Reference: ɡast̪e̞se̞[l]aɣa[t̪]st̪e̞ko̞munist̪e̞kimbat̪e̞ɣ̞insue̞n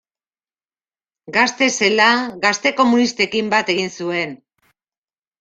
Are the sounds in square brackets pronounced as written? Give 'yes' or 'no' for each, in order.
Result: yes, no

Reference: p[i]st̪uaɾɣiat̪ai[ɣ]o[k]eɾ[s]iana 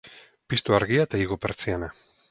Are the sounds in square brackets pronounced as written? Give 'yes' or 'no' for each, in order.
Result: yes, yes, no, no

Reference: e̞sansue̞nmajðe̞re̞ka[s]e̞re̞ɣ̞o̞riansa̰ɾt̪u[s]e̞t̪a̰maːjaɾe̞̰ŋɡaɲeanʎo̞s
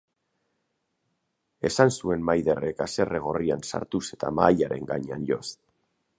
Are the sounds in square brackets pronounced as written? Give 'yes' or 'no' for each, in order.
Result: yes, yes

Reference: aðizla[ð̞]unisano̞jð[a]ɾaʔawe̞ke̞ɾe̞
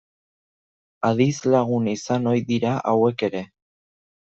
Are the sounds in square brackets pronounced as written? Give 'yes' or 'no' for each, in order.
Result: no, no

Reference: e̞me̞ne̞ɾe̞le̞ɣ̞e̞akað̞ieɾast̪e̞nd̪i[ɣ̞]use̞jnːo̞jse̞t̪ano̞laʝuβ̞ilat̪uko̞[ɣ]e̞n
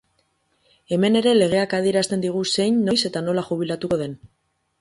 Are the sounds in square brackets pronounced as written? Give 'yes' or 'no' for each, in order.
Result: yes, no

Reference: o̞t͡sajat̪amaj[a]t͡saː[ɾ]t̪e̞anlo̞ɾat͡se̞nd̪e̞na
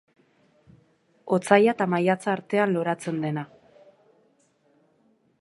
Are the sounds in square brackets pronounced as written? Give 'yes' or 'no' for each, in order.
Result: yes, yes

